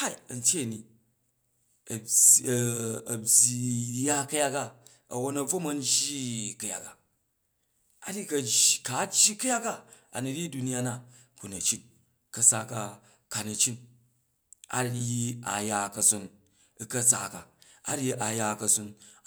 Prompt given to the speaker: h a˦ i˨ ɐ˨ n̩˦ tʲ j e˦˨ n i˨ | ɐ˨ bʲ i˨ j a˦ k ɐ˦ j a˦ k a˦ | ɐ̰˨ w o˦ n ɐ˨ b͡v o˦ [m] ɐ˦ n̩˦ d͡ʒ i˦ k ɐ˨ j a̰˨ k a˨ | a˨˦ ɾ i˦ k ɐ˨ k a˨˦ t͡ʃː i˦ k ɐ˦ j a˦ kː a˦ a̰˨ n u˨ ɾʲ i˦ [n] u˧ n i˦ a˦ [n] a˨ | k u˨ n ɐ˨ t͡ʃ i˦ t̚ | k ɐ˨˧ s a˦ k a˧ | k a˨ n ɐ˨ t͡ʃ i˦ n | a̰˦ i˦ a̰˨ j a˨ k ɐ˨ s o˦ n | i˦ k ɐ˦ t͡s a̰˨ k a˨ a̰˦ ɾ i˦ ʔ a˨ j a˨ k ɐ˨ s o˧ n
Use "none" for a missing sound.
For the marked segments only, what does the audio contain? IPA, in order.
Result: m, d, n

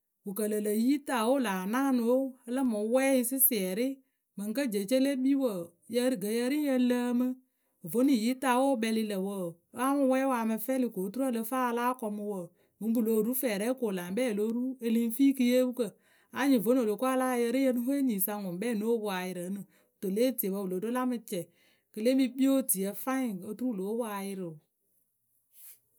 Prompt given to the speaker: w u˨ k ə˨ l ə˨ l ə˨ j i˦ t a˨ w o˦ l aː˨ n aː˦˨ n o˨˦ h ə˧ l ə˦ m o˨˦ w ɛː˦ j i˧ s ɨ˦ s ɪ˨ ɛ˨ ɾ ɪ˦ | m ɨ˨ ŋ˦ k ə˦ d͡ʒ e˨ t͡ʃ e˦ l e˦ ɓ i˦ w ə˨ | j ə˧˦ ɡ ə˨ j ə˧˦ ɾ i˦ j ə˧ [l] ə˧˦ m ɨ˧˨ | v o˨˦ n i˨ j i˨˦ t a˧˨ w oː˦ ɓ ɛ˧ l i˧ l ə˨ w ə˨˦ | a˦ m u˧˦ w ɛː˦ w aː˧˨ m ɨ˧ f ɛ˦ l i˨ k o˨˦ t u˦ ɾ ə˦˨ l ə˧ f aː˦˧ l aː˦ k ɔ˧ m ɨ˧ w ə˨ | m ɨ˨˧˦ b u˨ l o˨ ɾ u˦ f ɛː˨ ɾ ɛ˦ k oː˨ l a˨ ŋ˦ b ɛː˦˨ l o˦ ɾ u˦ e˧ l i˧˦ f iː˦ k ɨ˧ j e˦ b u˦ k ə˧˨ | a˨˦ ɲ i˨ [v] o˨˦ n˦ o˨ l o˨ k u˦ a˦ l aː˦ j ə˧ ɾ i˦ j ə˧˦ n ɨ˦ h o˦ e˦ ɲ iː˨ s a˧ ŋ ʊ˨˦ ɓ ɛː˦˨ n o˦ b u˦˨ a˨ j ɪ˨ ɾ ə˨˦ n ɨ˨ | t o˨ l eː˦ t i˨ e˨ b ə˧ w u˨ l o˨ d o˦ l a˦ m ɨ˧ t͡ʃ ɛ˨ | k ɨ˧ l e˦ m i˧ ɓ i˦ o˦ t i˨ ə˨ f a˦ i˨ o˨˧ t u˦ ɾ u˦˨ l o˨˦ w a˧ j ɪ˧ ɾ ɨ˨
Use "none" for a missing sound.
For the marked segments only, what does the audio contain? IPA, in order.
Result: l, v

